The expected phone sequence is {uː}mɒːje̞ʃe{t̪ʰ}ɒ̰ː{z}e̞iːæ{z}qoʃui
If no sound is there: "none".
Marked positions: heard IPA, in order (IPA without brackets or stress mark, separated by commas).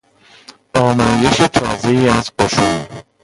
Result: ɒː, t̪ʰ, z, z